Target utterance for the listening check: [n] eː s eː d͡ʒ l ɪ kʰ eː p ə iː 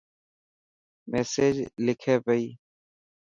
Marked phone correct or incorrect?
incorrect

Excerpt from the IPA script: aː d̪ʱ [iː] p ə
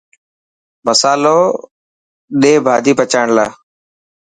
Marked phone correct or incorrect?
correct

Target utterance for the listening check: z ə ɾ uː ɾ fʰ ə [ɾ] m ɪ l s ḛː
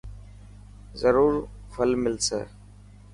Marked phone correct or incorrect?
incorrect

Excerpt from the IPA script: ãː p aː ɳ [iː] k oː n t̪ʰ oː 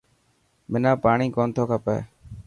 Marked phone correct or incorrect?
correct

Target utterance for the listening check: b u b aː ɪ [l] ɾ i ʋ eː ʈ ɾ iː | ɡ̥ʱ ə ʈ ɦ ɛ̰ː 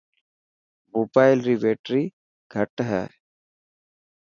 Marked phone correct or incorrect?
correct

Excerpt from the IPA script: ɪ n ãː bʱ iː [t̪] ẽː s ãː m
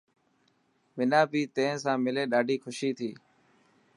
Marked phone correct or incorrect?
correct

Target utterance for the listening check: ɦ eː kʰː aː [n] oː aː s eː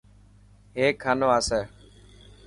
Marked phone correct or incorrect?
correct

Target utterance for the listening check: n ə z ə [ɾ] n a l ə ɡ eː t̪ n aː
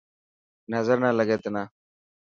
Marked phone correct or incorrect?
correct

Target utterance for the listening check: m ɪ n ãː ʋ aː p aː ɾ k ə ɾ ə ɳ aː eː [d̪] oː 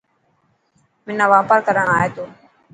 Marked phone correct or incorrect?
incorrect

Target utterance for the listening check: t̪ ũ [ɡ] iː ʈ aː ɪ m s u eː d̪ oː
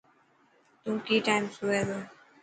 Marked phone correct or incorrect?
incorrect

